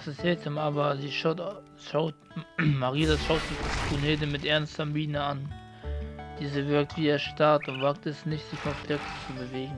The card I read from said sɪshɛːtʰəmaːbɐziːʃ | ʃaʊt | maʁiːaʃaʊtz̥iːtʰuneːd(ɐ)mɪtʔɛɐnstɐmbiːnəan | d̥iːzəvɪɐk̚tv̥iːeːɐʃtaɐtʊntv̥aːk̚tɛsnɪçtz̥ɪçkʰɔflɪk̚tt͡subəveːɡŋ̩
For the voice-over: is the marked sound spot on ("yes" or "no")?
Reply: no